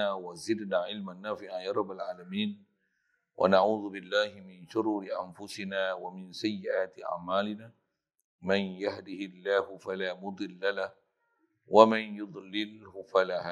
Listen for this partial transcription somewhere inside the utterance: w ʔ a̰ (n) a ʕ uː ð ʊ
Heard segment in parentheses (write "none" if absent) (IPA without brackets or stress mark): n